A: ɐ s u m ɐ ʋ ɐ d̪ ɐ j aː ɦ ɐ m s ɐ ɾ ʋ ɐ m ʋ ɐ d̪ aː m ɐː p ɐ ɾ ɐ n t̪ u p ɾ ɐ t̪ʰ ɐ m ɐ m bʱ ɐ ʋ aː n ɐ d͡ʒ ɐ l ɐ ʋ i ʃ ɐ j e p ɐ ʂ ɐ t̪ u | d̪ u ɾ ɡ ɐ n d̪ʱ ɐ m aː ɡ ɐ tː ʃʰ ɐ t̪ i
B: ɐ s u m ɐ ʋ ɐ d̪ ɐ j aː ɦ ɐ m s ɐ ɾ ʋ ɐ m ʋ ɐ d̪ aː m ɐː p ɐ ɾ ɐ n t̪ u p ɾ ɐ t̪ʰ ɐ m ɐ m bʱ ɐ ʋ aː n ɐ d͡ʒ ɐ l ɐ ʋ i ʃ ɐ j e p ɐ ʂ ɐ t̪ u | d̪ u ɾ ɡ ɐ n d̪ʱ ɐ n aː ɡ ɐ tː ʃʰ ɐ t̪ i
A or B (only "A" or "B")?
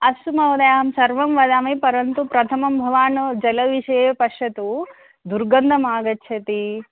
A